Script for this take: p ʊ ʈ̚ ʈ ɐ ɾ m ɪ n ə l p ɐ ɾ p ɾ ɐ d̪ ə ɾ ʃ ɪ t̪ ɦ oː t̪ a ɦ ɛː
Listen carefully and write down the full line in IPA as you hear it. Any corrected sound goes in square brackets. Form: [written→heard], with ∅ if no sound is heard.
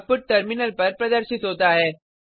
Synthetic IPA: p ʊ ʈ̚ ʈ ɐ ɾ m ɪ n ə l p ɐ ɾ p ɾ ɐ d̪ ə ɾ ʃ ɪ t̪ ɦ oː t̪ a ɦ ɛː

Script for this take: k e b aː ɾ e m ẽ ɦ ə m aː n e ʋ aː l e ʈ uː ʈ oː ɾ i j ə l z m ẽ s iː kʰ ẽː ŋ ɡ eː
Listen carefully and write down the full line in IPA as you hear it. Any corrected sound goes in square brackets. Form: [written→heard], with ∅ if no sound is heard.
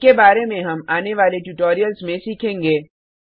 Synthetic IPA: k e b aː ɾ e m ẽ ɦ [ə→ɐ] m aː n e ʋ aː l e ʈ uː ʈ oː ɾ i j ə l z m ẽ s iː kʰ ẽː ŋ ɡ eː

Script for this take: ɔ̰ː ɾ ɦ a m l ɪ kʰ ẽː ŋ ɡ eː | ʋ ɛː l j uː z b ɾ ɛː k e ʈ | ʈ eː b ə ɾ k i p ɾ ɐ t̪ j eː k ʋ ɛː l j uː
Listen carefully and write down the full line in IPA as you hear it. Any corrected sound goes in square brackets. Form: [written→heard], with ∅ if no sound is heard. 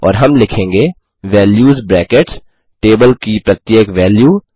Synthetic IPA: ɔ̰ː ɾ ɦ [a→ɐ] m l ɪ kʰ ẽː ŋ ɡ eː | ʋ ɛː l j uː z b ɾ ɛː k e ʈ | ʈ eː b ə [ɾ→l] k i p ɾ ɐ t̪ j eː k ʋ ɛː l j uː

